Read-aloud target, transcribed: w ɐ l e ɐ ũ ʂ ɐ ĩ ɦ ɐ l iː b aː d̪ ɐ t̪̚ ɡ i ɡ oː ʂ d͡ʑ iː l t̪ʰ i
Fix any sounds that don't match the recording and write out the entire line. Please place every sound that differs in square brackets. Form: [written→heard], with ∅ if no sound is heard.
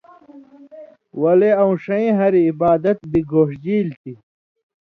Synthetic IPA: w ɐ l e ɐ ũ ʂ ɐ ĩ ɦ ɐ [l→ɾ] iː b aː d̪ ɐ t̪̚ [ɡ→b] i ɡ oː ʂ d͡ʑ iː l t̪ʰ i